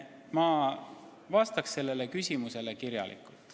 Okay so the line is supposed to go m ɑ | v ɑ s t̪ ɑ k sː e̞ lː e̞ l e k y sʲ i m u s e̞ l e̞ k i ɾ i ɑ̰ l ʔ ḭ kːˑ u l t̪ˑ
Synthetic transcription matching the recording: m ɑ | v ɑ s t̪ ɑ k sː e̞ lː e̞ l e k y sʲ i m u s e̞ l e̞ k i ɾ j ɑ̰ l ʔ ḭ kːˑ u l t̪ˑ